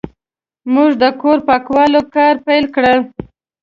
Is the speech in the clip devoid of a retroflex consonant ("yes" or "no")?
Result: no